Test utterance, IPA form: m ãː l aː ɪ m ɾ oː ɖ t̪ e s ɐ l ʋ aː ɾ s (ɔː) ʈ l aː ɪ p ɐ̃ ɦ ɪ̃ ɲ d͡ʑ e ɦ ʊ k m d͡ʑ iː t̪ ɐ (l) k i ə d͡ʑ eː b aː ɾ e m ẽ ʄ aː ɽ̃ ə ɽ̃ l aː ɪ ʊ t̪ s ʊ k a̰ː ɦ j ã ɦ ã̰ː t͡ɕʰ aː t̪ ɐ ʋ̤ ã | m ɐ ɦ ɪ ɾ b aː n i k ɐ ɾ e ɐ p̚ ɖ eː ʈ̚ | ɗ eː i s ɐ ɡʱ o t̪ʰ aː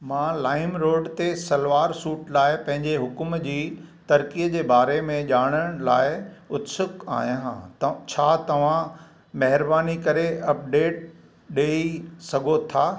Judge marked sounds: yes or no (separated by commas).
no, no